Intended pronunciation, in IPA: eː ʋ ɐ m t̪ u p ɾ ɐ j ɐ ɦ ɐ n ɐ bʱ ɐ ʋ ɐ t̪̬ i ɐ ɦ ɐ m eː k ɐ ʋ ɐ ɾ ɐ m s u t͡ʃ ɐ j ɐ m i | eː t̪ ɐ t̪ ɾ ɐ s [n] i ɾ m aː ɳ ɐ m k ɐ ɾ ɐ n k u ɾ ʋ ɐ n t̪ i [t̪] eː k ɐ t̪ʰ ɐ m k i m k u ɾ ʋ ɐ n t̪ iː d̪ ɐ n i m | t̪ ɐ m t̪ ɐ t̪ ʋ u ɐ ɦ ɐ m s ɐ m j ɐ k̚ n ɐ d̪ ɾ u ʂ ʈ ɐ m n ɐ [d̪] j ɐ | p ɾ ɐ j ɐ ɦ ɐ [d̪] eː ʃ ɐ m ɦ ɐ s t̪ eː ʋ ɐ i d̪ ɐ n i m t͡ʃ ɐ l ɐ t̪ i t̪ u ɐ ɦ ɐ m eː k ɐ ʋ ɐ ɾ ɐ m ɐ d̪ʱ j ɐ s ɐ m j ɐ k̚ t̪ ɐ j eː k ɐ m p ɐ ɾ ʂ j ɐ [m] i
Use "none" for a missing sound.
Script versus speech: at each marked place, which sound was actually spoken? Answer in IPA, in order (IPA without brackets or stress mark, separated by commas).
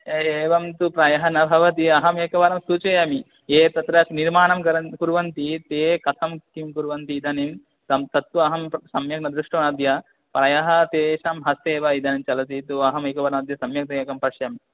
n, t̪, d̪, t̪, m